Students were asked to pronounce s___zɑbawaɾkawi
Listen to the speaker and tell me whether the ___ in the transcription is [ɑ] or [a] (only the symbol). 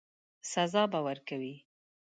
a